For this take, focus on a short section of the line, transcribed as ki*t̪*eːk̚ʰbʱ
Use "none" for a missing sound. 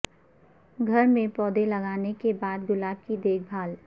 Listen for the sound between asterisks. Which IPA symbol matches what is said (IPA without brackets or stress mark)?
d̪